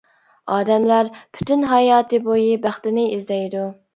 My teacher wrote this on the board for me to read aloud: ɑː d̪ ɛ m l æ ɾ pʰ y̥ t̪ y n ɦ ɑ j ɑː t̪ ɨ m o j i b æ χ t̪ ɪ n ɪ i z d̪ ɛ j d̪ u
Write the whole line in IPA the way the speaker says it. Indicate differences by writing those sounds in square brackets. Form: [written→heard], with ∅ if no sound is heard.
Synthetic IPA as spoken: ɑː d̪ ɛ m l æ ɾ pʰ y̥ t̪ y n ɦ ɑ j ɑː t̪ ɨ [m→b] o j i b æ χ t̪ ɪ n ɪ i z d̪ ɛ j d̪ u